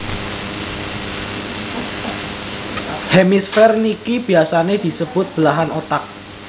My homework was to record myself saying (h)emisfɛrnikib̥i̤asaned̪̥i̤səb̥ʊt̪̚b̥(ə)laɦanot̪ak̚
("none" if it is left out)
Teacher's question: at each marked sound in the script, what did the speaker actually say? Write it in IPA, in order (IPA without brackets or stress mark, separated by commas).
h, ə